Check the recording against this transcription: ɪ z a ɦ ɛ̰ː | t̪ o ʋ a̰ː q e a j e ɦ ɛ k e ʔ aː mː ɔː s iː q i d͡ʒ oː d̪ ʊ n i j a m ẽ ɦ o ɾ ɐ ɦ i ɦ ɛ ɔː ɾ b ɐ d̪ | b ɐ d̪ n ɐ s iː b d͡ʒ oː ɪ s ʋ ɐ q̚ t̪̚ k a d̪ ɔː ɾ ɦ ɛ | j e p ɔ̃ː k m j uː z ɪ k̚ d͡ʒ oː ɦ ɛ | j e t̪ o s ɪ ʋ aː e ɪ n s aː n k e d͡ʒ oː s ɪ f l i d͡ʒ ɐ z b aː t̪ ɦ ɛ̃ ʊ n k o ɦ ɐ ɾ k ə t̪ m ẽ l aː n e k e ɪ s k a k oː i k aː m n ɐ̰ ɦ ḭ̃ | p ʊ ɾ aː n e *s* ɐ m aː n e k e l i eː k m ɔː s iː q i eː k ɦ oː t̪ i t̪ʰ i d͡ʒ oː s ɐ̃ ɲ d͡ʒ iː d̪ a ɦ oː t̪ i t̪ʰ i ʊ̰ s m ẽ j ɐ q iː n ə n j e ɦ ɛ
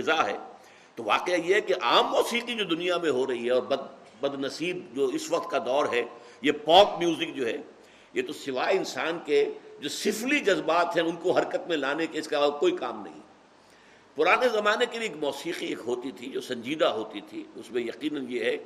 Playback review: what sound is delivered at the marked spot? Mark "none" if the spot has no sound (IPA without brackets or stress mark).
z